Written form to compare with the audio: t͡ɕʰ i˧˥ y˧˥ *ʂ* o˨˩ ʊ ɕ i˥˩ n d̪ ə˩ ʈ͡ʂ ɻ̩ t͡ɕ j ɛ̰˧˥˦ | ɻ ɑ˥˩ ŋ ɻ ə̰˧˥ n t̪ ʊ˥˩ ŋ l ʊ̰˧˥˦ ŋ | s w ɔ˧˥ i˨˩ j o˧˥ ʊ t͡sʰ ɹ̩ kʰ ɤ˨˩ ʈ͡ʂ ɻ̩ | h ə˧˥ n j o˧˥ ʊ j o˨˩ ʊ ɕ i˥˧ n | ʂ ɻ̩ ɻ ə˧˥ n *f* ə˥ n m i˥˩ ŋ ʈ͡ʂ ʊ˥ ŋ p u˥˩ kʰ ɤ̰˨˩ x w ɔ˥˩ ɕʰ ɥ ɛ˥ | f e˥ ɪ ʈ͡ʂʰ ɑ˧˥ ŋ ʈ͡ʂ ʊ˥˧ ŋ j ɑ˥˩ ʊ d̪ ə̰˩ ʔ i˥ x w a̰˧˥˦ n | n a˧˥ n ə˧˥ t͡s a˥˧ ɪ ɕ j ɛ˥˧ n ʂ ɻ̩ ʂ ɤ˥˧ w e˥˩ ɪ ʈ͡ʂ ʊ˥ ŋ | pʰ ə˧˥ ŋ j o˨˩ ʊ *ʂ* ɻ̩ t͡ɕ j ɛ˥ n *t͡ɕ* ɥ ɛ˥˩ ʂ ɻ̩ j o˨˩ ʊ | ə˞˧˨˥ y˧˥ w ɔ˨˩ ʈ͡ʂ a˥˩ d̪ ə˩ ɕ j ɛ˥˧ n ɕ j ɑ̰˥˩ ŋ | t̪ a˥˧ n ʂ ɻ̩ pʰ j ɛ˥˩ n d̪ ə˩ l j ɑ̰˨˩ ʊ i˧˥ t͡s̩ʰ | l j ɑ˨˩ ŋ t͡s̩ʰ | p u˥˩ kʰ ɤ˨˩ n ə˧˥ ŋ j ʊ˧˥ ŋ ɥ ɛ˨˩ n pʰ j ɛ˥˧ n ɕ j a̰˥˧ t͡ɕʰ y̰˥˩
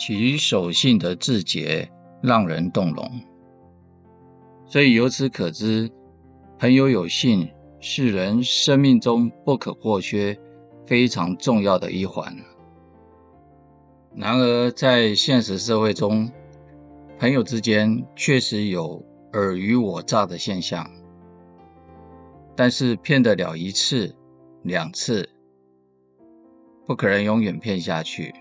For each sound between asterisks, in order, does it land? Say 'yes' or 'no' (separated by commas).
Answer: yes, no, no, no